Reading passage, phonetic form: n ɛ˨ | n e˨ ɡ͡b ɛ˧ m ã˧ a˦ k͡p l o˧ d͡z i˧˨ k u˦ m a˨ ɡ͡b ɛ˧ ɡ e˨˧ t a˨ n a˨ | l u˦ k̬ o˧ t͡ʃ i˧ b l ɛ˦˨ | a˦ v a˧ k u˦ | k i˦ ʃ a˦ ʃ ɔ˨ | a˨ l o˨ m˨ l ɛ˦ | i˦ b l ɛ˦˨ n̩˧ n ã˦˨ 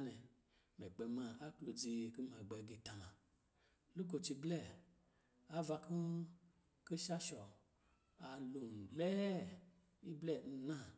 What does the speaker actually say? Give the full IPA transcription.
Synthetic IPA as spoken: n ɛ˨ | m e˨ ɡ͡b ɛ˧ m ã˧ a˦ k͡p l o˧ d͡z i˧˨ k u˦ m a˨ ɡ͡b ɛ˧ ɡ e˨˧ t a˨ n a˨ | l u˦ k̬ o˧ t͡ʃ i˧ b l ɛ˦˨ | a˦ v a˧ k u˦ | k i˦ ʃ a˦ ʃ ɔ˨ | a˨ l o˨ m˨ l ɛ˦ | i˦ b l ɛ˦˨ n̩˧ n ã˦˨